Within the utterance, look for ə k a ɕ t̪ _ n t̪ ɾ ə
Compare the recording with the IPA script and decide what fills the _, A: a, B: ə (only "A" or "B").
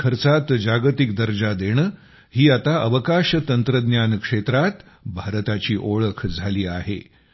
B